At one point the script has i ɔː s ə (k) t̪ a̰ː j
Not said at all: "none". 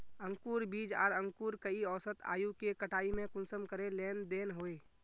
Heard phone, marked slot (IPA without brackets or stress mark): none